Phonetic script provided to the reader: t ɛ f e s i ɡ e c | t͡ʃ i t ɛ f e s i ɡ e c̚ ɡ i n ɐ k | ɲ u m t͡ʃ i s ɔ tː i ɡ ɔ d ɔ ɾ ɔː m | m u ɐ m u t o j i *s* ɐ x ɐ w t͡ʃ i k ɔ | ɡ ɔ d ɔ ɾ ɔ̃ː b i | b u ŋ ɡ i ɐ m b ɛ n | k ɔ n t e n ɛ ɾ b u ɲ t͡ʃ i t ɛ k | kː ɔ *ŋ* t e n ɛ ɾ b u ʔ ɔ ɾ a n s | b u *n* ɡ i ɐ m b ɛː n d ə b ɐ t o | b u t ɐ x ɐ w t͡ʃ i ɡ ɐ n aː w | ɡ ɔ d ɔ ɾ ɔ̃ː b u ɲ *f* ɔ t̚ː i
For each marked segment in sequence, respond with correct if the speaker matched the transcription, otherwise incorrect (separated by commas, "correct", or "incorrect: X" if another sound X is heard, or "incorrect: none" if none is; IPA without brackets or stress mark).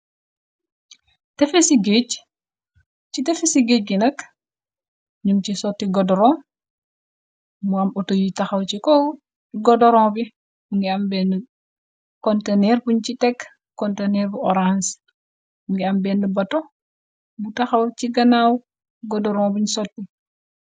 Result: incorrect: t, incorrect: n, incorrect: ŋ, incorrect: s